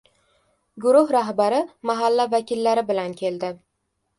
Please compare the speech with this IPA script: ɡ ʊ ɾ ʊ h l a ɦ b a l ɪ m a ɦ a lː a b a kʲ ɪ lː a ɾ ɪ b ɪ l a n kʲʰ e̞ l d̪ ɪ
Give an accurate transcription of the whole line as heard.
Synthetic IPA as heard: ɡ ʊ ɾ ʊ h ɾ a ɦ b a ɾ ɪ m a ɦ a lː a v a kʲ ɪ lː a ɾ ɪ b ɪ l a n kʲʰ e̞ l d̪ ɪ